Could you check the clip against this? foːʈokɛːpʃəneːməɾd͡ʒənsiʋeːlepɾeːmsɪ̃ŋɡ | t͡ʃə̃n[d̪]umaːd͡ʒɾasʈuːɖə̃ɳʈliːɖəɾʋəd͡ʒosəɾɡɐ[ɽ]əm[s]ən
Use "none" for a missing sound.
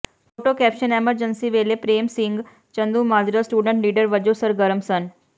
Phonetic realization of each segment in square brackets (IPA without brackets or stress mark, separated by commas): d̪, ɾ, s